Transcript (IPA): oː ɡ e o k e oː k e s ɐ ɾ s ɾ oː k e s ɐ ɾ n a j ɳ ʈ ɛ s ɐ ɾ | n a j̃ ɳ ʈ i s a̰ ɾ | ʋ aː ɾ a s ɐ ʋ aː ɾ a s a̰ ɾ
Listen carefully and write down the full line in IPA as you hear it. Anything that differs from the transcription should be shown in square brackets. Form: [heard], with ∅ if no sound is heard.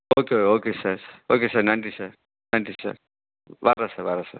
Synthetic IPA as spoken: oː [k] e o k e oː k e s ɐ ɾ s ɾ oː k e s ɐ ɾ n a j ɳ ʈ [i] s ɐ ɾ | n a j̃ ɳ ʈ i s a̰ ɾ | ʋ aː ɾ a s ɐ ʋ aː ɾ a s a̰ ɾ